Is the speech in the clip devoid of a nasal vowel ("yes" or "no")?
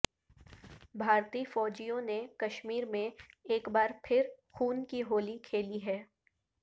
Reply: no